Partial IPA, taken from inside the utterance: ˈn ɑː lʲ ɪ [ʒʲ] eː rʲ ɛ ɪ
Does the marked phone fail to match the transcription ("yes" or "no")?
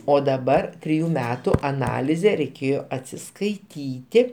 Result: yes